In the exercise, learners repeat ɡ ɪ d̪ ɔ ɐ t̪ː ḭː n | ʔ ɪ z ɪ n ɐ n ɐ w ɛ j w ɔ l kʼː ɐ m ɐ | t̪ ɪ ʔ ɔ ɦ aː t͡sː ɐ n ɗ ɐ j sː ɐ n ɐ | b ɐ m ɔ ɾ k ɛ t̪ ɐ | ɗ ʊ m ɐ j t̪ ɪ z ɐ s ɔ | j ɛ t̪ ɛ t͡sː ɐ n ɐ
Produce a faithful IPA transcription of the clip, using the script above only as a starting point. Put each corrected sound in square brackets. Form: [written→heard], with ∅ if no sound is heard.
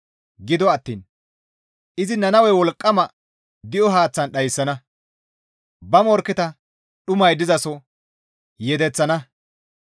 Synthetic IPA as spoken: ɡ ɪ d̪ ɔ ɐ t̪ː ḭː n | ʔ ɪ z ɪ n ɐ n ɐ w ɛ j w ɔ l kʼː ɐ m ɐ | [t̪→d̪] ɪ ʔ ɔ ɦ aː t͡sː ɐ n ɗ ɐ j sː ɐ n ɐ | b ɐ m ɔ ɾ k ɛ t̪ ɐ | ɗ ʊ m ɐ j [t̪→d̪] ɪ z ɐ s ɔ | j ɛ [t̪→d̪] ɛ t͡sː ɐ n ɐ

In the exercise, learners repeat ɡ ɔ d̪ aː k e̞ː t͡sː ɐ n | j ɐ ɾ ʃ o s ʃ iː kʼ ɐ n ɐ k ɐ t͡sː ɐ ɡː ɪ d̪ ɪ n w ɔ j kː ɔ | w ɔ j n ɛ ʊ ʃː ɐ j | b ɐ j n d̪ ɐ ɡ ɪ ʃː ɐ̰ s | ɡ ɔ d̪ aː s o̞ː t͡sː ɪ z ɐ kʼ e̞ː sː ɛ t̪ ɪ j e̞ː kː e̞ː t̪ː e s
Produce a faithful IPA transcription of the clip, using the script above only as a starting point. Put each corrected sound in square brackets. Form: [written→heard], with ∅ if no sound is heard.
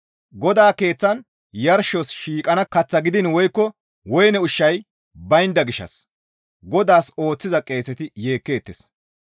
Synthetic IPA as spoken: ɡ ɔ d̪ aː k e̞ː t͡sː ɐ n | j ɐ ɾ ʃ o s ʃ iː kʼ ɐ n ɐ k ɐ t͡sː ɐ [ɡː→ɡ] ɪ d̪ ɪ n w ɔ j kː ɔ | w ɔ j n ɛ ʊ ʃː ɐ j | b ɐ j n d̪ ɐ ɡ ɪ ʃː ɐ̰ s | ɡ ɔ d̪ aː s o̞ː t͡sː ɪ z ɐ kʼ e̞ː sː ɛ t̪ ɪ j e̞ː kː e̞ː t̪ː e s

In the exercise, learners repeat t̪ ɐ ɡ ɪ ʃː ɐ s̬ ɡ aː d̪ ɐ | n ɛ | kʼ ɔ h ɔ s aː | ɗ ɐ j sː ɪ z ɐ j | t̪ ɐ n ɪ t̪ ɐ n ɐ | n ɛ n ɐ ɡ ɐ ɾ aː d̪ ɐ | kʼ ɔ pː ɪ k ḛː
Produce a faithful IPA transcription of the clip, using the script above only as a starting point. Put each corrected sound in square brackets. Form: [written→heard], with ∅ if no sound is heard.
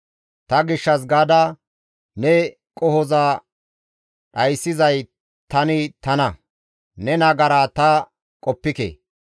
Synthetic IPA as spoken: t̪ ɐ ɡ ɪ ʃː ɐ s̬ ɡ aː d̪ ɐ | n ɛ | kʼ ɔ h ɔ [s→z] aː | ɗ ɐ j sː ɪ z ɐ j | t̪ ɐ n ɪ t̪ ɐ n ɐ | n ɛ n ɐ ɡ ɐ ɾ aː [d̪→t̪] ɐ | kʼ ɔ pː ɪ k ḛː

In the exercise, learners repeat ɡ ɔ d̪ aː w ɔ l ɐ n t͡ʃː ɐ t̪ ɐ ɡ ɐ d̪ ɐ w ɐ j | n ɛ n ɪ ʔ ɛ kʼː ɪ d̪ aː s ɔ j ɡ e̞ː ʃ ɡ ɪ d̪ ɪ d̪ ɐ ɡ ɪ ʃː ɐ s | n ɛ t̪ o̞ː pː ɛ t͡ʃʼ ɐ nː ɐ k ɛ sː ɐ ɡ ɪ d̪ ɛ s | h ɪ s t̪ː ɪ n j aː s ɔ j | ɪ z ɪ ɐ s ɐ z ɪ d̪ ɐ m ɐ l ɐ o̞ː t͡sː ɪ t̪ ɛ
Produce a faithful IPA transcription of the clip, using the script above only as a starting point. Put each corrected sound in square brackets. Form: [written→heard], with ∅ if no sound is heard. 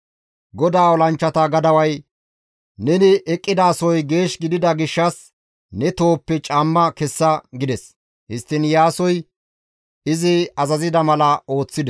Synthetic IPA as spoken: ɡ ɔ d̪ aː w ɔ l ɐ n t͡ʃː ɐ t̪ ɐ ɡ ɐ d̪ ɐ w ɐ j | n ɛ n ɪ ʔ ɛ kʼː ɪ d̪ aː s ɔ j ɡ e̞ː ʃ ɡ ɪ d̪ ɪ d̪ ɐ ɡ ɪ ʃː ɐ s | n ɛ t̪ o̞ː pː ɛ t͡ʃʼ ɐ [nː→mː] ɐ k ɛ sː ɐ ɡ ɪ d̪ ɛ s | h ɪ s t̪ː ɪ n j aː s ɔ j | ɪ z ɪ ɐ [s→z] ɐ z ɪ d̪ ɐ m ɐ l ɐ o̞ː t͡sː ɪ [t̪→d̪] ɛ

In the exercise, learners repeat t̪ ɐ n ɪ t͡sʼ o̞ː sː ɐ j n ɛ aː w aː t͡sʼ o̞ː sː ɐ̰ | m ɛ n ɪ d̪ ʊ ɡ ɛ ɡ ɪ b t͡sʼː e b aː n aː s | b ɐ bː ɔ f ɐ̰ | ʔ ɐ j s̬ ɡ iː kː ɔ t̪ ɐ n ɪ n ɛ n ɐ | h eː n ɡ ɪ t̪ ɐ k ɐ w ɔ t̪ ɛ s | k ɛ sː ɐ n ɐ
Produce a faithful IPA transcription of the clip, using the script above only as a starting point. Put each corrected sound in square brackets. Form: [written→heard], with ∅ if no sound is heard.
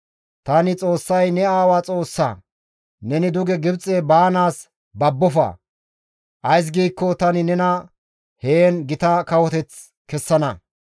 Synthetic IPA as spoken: t̪ ɐ n ɪ t͡sʼ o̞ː sː ɐ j n ɛ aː w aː t͡sʼ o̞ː sː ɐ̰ | [m→n] ɛ n ɪ d̪ ʊ ɡ ɛ ɡ ɪ b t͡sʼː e b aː n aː s | b ɐ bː ɔ f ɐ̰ | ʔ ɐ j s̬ ɡ iː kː ɔ t̪ ɐ n ɪ n ɛ n ɐ | h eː n ɡ ɪ t̪ ɐ k ɐ w ɔ t̪ ɛ [s→t͡s] | k ɛ sː ɐ n ɐ

